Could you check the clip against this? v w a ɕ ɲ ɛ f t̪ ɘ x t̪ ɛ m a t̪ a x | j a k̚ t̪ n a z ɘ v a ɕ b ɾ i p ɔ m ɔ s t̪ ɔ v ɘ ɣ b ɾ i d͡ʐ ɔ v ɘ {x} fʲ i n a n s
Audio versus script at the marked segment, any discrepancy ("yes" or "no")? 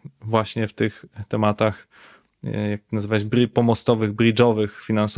no